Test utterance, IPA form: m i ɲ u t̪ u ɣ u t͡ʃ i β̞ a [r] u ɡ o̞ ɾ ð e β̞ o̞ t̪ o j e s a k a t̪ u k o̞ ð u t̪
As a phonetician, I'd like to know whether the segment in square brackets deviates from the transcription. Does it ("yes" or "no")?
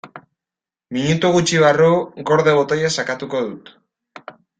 no